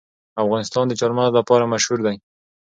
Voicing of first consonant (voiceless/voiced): voiceless